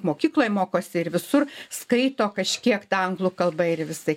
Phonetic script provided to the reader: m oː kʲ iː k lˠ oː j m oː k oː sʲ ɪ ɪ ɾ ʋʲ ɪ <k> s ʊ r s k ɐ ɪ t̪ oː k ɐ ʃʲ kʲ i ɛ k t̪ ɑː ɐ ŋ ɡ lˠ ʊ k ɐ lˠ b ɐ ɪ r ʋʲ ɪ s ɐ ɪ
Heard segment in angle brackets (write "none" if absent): none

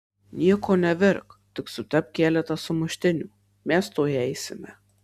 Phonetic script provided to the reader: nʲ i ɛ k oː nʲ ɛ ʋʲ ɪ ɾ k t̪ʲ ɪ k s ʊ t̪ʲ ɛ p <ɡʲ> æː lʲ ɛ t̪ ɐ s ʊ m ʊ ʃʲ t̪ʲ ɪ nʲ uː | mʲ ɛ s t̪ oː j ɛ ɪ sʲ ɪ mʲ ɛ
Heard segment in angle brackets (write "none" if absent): kʲ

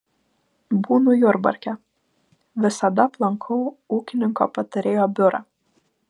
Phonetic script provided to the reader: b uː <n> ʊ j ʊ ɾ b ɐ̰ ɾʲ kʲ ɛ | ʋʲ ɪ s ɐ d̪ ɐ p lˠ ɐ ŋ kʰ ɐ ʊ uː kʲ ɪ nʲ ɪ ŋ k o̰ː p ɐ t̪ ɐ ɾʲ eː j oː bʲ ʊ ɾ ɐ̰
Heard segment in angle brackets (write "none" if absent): n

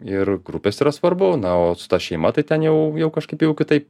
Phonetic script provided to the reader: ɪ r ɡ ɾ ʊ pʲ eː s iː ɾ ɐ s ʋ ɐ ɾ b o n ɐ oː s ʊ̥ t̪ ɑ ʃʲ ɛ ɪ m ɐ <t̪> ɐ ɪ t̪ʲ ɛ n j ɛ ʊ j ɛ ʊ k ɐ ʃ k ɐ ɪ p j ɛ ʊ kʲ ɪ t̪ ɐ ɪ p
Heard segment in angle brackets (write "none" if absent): t̪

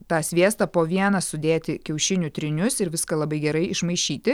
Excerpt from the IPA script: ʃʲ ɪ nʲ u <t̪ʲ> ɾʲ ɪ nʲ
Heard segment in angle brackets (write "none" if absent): t̪ʲ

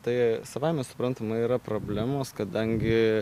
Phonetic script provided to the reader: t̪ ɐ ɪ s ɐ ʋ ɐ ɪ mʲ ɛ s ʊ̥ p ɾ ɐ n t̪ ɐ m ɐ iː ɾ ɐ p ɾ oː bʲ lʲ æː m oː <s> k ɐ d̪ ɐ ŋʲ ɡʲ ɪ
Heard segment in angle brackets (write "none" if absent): s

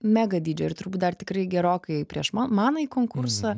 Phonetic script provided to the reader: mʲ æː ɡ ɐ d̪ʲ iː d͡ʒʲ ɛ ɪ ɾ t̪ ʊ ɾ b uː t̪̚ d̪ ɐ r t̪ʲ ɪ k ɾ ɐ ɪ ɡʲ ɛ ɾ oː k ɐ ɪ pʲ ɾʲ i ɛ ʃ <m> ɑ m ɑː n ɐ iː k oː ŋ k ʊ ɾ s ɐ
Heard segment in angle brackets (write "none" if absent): m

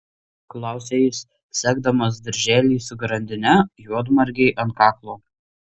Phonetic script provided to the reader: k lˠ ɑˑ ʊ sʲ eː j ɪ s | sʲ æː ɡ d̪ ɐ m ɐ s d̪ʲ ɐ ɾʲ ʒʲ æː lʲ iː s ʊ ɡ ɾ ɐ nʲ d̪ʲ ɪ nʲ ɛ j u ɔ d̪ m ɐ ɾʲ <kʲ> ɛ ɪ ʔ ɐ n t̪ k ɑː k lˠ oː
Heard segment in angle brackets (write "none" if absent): ɡʲ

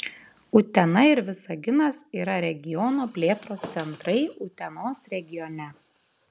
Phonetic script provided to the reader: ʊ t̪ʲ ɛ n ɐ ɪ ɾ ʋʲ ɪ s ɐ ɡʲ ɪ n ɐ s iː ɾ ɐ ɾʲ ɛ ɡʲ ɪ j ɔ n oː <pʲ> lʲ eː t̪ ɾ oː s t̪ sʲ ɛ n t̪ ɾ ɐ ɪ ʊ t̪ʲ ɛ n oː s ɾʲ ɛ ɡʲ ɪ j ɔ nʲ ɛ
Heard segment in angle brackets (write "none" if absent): pʲ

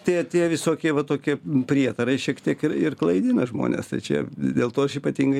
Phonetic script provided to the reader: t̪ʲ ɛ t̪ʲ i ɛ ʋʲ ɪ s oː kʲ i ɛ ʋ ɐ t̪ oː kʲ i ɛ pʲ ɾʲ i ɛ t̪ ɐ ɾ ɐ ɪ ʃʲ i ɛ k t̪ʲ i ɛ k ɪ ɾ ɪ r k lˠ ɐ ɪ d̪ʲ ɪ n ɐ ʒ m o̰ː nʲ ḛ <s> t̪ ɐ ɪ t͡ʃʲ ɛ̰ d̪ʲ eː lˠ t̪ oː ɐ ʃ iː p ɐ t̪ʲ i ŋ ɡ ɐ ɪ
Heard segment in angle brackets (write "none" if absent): s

